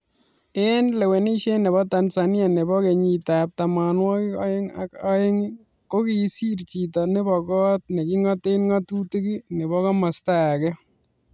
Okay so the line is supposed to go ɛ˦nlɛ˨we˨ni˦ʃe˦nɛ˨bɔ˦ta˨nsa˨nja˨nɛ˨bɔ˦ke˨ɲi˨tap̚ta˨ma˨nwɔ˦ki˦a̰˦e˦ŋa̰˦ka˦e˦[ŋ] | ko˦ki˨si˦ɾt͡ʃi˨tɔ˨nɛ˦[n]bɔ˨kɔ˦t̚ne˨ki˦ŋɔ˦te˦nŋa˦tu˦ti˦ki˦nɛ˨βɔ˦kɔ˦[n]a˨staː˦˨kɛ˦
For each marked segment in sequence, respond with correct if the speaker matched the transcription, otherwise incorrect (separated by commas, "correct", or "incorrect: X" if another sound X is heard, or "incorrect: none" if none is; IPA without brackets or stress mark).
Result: correct, incorrect: none, incorrect: m